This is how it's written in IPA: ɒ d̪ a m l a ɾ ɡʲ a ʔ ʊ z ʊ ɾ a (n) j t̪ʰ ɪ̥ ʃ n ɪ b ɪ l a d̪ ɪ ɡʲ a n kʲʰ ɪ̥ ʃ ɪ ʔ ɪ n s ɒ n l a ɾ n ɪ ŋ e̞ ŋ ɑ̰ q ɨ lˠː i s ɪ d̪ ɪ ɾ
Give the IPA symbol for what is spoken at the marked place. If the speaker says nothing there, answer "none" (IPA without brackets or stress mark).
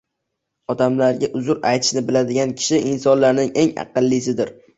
none